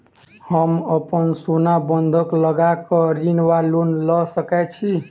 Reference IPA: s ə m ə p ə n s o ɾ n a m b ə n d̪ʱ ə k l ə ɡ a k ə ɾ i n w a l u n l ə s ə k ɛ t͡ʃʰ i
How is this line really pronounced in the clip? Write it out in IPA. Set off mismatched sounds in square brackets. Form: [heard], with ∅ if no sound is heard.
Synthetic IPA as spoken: [h] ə m ə p ə n s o [∅] n a [∅] b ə n d̪ʱ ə k l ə ɡ a k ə ɾ i n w a l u n l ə s ə k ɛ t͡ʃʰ i